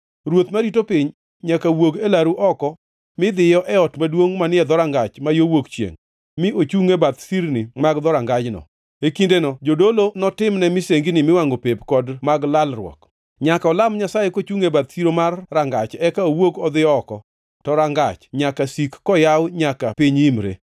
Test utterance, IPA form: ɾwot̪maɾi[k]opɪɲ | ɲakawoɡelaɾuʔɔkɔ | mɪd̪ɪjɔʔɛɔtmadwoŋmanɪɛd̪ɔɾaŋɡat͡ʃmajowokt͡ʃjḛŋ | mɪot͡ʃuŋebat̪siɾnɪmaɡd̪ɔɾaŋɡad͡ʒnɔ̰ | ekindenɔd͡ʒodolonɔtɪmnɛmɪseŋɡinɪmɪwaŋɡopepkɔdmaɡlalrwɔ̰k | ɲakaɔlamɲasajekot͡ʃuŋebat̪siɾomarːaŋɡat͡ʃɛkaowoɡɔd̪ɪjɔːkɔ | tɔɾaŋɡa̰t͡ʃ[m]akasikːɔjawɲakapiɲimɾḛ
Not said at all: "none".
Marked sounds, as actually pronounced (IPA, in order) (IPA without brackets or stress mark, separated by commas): t, ɲ